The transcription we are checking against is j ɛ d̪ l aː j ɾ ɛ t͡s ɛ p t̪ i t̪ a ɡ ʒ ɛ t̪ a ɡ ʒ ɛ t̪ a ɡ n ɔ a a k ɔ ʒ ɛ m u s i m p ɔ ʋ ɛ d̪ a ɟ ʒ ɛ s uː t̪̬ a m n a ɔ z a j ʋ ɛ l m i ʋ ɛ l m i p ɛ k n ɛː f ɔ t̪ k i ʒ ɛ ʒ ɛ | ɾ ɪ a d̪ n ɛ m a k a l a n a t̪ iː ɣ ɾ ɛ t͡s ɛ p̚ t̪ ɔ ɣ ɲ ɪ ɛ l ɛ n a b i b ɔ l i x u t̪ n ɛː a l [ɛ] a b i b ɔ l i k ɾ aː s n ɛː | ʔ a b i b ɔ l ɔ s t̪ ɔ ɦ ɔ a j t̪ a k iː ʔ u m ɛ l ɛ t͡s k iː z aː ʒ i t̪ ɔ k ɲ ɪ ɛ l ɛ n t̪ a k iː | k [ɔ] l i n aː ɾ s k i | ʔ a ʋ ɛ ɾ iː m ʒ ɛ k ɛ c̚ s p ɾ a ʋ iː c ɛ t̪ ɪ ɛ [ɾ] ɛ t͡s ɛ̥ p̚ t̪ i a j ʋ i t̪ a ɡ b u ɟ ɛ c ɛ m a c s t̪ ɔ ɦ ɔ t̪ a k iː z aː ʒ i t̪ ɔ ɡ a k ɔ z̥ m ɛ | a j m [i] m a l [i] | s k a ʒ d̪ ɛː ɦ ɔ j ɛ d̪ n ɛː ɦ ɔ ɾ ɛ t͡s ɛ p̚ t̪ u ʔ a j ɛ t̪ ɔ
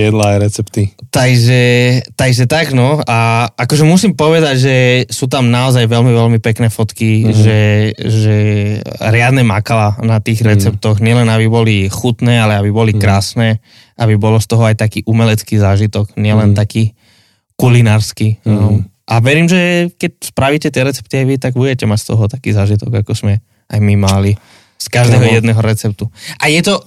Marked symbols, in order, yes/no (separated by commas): yes, no, yes, yes, yes